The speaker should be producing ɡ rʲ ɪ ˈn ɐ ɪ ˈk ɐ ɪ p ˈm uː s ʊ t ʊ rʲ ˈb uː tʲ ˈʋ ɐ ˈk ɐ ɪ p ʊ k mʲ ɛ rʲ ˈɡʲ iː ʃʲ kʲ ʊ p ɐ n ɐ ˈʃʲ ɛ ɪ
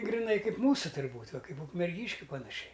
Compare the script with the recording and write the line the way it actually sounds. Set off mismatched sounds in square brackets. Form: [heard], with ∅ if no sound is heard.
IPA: ɡ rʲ ɪ ˈn ɐ ɪ ˈk ɐ ɪ p ˈm uː s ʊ t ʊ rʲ ˈb uː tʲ ˈʋ ɐ ˈk ɐ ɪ p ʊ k mʲ ɛ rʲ ˈɡʲ iː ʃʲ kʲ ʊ p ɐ n ɐ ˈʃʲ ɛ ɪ